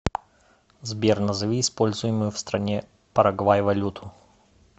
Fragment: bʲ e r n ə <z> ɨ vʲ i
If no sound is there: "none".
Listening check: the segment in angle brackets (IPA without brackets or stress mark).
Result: z